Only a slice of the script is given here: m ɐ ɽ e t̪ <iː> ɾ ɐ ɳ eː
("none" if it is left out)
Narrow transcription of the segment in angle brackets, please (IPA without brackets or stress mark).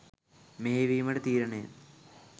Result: iː